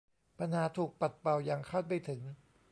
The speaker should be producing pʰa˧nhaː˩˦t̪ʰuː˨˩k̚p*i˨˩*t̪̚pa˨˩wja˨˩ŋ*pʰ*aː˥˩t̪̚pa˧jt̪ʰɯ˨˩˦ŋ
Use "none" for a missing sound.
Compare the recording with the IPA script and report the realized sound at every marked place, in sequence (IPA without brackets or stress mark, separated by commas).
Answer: a˨˩, kʰ